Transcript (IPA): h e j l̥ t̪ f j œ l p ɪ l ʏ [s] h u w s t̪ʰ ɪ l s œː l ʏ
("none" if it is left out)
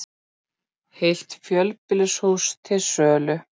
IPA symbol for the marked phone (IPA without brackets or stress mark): s